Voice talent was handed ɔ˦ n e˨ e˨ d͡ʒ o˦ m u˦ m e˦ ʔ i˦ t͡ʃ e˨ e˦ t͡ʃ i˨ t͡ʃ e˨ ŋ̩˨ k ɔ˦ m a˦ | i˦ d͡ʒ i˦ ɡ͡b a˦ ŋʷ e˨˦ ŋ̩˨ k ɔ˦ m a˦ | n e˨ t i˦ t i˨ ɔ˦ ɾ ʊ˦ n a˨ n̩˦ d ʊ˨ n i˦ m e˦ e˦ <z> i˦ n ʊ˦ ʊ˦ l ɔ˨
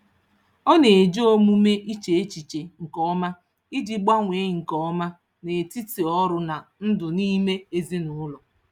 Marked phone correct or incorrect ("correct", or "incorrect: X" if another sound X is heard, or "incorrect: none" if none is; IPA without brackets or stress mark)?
correct